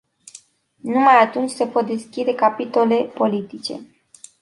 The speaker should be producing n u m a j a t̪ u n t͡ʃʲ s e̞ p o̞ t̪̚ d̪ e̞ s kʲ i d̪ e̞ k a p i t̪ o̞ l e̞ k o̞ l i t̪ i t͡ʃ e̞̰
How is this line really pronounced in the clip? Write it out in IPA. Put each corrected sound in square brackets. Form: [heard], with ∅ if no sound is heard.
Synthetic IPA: n u m a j a t̪ u n t͡ʃʲ s e̞ p o̞ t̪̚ d̪ e̞ s kʲ i d̪ e̞ k a p i t̪ o̞ l e̞ [p] o̞ l i t̪ i t͡ʃ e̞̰

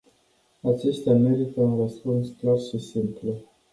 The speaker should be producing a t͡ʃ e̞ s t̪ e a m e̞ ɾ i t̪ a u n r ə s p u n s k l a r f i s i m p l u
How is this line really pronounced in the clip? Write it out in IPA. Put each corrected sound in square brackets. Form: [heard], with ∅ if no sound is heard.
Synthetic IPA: a t͡ʃ e̞ s t̪ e a m e̞ ɾ i t̪ [ə] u n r ə s p u n s k l a r [ʃ] i s i m p l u

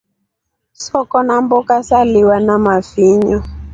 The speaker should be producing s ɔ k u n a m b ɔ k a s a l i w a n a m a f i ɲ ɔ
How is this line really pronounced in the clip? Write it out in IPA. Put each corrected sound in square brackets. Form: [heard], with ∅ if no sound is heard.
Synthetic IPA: s ɔ k [ɔ] n a m b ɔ k a s a l i w a n a m a f i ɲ ɔ

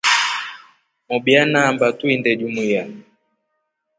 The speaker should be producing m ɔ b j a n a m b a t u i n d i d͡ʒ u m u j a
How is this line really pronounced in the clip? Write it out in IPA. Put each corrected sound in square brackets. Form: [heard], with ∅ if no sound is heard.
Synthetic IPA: m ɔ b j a n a m b a t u i n d [ɛ] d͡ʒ u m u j a

